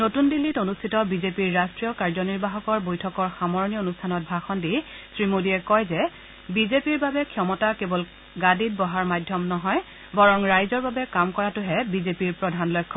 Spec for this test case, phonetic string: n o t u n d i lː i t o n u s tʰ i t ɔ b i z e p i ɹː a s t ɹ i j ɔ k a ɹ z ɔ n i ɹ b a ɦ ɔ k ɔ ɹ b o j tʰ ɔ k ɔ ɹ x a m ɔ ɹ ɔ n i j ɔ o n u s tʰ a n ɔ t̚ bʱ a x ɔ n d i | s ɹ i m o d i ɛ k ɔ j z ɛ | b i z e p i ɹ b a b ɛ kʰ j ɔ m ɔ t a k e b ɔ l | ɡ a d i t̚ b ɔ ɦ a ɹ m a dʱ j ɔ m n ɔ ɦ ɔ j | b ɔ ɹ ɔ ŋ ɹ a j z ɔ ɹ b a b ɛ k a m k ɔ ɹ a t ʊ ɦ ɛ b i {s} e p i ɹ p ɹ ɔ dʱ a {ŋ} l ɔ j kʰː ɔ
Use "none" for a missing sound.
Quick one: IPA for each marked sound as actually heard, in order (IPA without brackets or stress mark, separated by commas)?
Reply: z, n